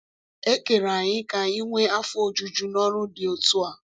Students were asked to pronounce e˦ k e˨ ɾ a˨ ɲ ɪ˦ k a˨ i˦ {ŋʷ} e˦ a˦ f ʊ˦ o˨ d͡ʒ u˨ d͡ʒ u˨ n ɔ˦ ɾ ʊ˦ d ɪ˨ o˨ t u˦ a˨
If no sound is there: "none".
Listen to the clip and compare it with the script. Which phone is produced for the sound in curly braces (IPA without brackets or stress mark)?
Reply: ŋʷ